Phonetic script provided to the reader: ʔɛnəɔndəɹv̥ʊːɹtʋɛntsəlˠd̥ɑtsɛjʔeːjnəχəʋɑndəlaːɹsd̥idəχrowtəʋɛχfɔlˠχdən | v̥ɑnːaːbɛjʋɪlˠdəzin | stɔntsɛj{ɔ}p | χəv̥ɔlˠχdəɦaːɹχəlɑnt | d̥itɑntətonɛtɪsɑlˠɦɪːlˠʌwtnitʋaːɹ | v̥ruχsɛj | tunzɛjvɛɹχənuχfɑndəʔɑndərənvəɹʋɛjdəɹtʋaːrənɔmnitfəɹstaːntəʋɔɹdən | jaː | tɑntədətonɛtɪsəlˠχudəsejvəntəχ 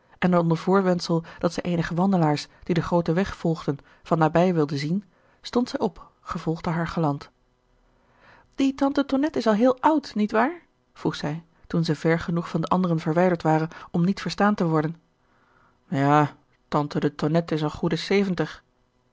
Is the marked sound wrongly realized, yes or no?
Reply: no